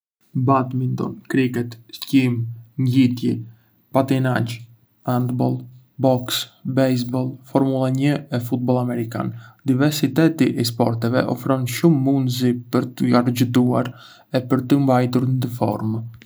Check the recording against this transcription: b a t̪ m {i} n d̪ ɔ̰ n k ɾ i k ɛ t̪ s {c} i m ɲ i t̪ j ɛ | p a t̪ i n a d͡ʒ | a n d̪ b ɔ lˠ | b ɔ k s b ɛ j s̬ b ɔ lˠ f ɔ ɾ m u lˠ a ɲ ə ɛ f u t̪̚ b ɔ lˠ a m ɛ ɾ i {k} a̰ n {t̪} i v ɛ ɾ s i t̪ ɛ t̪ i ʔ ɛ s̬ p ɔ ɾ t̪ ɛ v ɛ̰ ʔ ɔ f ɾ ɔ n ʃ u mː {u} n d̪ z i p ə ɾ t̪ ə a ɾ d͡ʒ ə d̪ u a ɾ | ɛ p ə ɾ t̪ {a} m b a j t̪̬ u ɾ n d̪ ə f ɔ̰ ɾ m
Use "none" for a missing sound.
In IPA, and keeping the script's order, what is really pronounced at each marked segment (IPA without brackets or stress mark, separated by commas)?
i, c, k, d̪, u, ə